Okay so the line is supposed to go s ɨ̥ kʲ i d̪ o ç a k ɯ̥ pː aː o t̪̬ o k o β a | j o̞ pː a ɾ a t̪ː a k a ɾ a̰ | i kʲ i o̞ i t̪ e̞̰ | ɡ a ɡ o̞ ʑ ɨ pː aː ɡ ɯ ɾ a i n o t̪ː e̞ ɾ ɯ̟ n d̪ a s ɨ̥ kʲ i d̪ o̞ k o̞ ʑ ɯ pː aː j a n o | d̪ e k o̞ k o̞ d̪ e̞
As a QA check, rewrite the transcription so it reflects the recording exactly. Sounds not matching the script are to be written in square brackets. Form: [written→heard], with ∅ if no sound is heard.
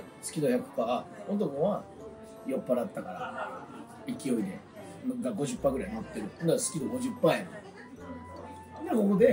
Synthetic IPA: s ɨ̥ kʲ i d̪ o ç a k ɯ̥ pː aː o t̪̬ o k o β a | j o̞ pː a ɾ a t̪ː a k a ɾ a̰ | i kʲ i o̞ i [t̪→d̪] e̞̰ | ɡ a ɡ o̞ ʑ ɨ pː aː ɡ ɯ ɾ a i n o t̪ː e̞ ɾ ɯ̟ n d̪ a s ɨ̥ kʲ i d̪ o̞ [k→ɡ] o̞ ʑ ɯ pː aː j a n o | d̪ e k o̞ k o̞ d̪ e̞